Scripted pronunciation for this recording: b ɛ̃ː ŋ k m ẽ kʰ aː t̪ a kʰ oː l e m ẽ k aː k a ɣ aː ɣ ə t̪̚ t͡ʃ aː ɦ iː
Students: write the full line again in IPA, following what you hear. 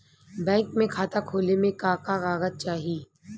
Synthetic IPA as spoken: b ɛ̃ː ŋ k m ẽ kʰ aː t̪ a kʰ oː l e m ẽ k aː k a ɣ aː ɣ ə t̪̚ t͡ʃ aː ɦ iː